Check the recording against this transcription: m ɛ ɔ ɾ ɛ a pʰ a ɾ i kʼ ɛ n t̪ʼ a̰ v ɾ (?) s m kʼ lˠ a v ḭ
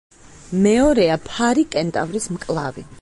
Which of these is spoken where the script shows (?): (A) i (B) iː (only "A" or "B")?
A